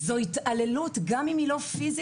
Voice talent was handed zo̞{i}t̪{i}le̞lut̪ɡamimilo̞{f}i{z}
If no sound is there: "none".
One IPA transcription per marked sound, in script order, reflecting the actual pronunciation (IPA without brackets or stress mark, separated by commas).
i, a, f, z